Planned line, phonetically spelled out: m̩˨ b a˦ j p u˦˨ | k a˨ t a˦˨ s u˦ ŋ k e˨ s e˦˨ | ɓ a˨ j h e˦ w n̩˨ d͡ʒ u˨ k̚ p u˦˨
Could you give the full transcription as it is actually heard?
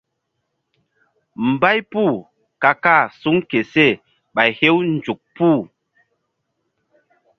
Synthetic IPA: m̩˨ b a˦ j p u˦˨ | k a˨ k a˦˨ s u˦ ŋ k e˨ s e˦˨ | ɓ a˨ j h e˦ w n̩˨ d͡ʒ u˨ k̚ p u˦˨